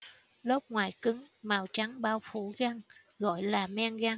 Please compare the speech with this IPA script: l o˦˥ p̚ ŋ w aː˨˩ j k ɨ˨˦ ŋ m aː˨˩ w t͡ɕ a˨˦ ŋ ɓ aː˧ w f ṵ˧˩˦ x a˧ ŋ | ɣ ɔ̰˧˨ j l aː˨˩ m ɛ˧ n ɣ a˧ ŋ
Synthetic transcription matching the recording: l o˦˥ p̚ ŋ w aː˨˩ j k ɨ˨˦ ŋ m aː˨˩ w t͡ɕ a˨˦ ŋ ɓ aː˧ w f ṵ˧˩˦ ɣ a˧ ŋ | ɣ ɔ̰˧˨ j l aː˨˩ m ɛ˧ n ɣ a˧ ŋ